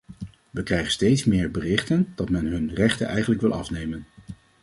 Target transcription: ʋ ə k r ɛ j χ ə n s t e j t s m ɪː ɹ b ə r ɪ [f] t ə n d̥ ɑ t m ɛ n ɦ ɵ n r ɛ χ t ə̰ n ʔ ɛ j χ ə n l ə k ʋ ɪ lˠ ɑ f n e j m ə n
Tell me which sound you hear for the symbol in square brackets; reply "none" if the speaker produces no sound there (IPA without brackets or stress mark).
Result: χ